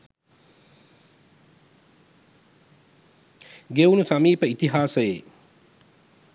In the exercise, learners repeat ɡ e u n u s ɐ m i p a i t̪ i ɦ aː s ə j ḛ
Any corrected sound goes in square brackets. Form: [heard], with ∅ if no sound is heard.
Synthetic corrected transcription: ɡ e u n u s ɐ m [iː] p [ə] i t̪ i ɦ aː s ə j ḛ

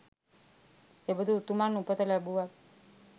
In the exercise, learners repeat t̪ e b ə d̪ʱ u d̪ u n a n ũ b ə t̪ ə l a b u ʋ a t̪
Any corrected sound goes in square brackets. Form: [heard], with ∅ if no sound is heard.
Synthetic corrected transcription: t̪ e b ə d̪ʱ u [t̪] u [m] a n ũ [p] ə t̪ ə l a b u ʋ a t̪

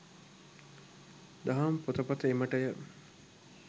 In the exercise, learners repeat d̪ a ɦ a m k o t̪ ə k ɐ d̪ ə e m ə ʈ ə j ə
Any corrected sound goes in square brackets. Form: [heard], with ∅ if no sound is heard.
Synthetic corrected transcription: d̪ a ɦ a m [p] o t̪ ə [p] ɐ [t̪] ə e m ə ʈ ə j ə

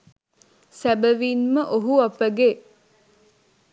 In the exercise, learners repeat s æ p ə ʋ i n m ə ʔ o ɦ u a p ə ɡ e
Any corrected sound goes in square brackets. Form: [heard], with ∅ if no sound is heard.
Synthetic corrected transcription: s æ [b] ə ʋ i n m ə ʔ o ɦ u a p ə ɡ e

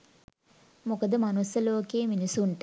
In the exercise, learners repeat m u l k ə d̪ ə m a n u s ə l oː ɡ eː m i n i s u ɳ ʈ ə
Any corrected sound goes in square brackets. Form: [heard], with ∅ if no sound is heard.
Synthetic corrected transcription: m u [∅] k ə d̪ ə m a n u s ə l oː [k] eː m i n i s u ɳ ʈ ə

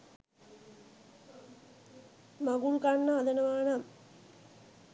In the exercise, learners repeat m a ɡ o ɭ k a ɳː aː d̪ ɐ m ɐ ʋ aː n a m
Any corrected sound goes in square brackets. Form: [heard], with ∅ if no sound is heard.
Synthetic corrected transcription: m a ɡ [u] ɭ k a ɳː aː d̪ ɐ [n] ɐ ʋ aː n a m

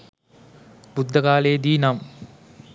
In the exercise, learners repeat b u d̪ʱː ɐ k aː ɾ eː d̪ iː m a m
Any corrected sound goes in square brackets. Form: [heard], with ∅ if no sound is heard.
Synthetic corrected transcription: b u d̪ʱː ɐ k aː [l] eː d̪ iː [n] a m

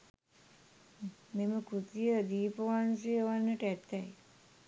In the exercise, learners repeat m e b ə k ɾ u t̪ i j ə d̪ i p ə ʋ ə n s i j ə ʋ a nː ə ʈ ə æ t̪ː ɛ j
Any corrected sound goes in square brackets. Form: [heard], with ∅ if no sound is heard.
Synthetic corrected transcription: m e [m] ə k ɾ u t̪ i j ə d̪ [iː] p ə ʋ [a] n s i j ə ʋ a nː ə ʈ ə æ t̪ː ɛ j

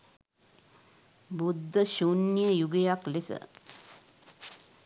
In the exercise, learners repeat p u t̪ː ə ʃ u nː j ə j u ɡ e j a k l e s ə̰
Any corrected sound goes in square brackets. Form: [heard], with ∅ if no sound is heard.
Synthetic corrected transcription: [b] u [d̪ː] ə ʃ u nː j ə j u ɡ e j a k l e s ə̰

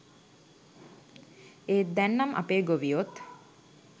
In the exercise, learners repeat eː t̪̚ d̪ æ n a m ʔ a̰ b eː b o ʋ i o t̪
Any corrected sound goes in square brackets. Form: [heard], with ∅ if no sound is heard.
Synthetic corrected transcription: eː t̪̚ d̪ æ [nː] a m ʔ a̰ [p] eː [ɡ] o ʋ i o t̪

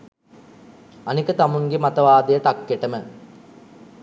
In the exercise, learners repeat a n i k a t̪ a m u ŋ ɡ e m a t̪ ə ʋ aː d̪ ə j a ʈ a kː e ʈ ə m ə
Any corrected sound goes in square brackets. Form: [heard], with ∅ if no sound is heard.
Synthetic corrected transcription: a n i k [ə] t̪ a m u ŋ ɡ e m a t̪ ə ʋ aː d̪ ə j [ə] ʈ a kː e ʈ ə m ə

